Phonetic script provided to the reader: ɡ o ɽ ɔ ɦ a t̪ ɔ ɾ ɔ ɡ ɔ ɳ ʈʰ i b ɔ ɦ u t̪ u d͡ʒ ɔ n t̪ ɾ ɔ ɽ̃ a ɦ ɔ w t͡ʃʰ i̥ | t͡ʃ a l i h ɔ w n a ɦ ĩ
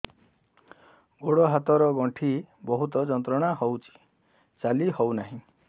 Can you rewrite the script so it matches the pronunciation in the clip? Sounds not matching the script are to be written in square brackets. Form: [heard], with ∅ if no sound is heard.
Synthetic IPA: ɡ o ɽ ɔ ɦ a t̪ ɔ ɾ ɔ ɡ ɔ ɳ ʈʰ i b ɔ ɦ u t̪ [ɔ] d͡ʒ ɔ n t̪ ɾ ɔ ɽ̃ a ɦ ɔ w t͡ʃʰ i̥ | t͡ʃ a l i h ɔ w n a ɦ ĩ